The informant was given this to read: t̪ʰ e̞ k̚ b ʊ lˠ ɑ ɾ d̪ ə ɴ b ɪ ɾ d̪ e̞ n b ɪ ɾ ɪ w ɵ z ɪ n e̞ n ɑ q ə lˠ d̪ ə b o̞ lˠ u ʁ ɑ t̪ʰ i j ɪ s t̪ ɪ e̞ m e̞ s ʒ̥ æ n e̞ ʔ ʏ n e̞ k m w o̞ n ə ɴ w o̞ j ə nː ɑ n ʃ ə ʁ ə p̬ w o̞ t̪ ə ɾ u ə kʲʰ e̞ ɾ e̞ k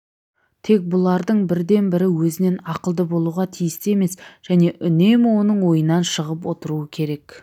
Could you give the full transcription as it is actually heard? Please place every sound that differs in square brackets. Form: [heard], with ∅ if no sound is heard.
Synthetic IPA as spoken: t̪ʰ e̞ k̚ b ʊ lˠ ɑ ɾ d̪ ə ɴ b ɪ ɾ d̪ e̞ n b ɪ ɾ ɪ w ɵ z ɪ n e̞ n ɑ q ə lˠ d̪ ə b o̞ lˠ u ʁ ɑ t̪ʰ i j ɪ s t̪ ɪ e̞ m e̞ s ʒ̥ æ n e̞ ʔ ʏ n e̞ [∅] m w o̞ n ə ɴ w o̞ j ə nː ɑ n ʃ ə ʁ ə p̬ w o̞ t̪ ə ɾ u ə kʲʰ e̞ ɾ e̞ k

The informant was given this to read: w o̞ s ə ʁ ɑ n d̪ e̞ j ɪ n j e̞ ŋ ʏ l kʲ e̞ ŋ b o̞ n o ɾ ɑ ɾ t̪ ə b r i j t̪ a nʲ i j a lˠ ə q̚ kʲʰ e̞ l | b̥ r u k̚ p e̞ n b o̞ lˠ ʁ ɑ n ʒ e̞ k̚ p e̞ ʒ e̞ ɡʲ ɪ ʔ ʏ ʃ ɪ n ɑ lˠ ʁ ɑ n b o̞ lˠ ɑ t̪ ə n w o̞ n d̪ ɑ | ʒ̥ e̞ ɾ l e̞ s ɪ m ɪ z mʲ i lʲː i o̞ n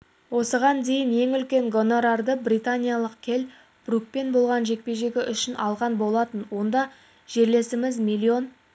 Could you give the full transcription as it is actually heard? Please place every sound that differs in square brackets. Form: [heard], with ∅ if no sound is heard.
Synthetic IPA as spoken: w o̞ s ə ʁ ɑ n d̪ e̞ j ɪ n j e̞ ŋ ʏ l kʲ e̞ ŋ [ɡ] o̞ n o ɾ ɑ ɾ [d̪] ə b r i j t̪ a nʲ i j a lˠ ə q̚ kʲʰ e̞ l | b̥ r u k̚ p e̞ n b o̞ lˠ ʁ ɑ n ʒ e̞ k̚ p e̞ ʒ e̞ ɡʲ ɪ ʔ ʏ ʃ ɪ n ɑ lˠ ʁ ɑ n b o̞ lˠ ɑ t̪ ə n w o̞ n d̪ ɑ | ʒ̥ e̞ ɾ l e̞ s ɪ m ɪ z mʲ i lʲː i o̞ n

